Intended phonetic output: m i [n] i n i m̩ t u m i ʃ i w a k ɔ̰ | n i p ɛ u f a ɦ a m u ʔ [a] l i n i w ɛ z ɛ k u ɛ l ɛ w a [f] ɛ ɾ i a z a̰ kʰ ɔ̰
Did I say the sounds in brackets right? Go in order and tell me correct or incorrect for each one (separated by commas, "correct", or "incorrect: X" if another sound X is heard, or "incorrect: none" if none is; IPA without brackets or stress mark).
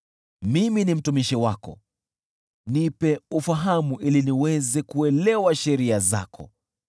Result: incorrect: m, incorrect: i, incorrect: ʃ